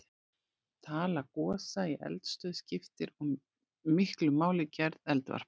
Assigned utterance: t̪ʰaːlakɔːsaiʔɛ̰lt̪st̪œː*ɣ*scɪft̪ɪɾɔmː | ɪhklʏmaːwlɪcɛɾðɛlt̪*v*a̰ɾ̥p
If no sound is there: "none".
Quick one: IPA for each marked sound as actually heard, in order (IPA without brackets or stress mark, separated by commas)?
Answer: ð, v